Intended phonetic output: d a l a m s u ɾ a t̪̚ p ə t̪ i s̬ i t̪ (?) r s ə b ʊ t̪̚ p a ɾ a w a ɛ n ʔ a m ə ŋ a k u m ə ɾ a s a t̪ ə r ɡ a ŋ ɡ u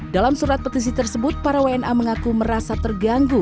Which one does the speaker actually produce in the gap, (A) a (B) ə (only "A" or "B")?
B